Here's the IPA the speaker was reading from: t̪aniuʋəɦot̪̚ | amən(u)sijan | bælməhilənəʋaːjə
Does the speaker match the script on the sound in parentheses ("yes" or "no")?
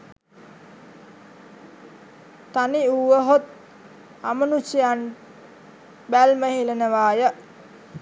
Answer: yes